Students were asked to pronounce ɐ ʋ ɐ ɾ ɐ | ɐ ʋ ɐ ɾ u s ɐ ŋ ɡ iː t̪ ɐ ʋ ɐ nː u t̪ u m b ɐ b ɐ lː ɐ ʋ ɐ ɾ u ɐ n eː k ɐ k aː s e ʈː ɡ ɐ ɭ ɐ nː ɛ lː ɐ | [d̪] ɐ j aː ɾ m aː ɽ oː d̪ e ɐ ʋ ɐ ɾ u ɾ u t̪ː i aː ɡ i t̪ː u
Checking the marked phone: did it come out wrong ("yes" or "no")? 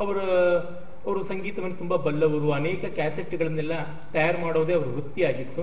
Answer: yes